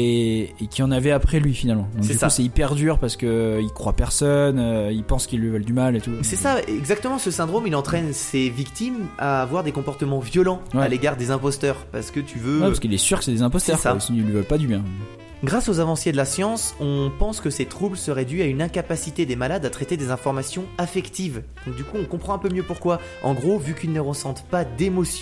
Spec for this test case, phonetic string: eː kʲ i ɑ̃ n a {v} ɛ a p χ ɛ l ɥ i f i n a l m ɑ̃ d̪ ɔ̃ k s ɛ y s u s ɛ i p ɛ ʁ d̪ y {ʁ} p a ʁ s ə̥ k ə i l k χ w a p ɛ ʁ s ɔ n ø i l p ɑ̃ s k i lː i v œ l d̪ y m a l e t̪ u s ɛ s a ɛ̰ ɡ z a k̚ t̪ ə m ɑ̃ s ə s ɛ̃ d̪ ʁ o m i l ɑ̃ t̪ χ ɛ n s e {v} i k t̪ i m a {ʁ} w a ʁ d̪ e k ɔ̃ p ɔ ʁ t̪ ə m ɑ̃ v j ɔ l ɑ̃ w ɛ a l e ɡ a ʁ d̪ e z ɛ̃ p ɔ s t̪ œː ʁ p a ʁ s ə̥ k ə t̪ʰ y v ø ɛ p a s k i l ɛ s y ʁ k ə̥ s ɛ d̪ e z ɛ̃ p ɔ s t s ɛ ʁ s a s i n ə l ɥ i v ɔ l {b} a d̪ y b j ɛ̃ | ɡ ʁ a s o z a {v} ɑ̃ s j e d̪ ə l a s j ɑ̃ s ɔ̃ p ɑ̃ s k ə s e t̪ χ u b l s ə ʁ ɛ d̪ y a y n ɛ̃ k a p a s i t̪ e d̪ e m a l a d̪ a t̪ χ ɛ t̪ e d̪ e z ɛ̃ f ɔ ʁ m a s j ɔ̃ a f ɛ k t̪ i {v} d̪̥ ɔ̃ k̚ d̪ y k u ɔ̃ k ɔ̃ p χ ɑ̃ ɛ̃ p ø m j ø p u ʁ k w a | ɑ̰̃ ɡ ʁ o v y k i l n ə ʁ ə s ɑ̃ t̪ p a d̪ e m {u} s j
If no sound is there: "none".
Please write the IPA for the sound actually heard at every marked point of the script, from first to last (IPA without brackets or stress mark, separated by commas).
v, ʁ, v, v, p, v, v, ɔ